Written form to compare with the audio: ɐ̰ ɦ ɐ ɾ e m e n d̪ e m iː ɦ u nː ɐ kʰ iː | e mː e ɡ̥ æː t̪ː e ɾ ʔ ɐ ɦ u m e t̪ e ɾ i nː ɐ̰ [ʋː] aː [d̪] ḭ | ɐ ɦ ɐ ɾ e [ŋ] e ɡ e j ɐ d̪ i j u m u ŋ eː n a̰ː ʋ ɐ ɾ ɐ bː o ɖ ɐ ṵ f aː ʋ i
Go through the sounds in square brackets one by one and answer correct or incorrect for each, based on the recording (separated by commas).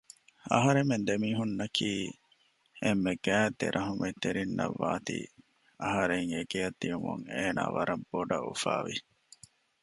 correct, incorrect, correct